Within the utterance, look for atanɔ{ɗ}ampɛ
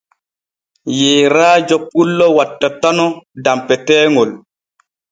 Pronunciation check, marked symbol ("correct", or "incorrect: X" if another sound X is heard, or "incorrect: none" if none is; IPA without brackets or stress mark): incorrect: d